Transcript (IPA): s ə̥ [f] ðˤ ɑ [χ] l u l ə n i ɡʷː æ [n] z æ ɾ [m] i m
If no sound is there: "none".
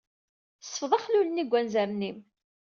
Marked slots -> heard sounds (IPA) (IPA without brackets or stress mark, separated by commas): f, χ, n, n